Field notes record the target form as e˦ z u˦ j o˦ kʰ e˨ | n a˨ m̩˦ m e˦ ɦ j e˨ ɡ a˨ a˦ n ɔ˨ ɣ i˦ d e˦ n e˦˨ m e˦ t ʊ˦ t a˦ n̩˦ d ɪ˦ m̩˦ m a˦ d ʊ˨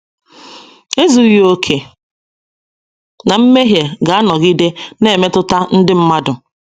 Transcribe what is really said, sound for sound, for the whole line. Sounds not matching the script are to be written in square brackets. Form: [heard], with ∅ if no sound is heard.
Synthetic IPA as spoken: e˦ z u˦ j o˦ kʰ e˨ | n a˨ m̩˦ m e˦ ɦ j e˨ ɡ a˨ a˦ n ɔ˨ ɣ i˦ d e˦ n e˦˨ m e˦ t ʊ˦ t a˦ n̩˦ d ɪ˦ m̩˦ m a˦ d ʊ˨